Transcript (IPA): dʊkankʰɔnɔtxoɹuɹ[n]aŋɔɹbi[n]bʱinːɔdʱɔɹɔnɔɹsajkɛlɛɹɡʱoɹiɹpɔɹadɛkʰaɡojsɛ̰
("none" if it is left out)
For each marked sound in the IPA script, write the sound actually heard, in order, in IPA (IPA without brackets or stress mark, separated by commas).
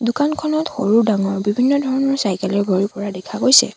d, none